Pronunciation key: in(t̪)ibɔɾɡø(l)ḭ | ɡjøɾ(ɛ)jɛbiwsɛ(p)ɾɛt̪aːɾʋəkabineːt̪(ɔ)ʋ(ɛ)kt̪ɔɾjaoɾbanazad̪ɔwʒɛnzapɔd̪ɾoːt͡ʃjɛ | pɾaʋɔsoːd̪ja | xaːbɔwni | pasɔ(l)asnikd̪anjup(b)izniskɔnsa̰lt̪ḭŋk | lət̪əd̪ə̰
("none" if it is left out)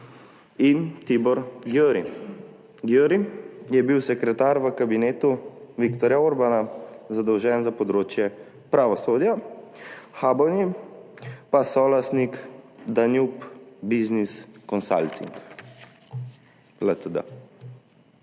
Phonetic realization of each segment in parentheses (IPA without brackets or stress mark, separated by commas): t̪, ɾ, i, k, u, i, l, b